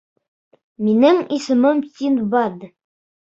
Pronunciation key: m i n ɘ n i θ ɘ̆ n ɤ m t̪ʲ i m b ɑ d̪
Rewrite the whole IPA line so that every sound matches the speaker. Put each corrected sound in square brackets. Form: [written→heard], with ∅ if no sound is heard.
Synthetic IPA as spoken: m i n ɘ [n→ŋ] i [θ→s] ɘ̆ [n→m] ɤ m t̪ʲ i [m→n] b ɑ d̪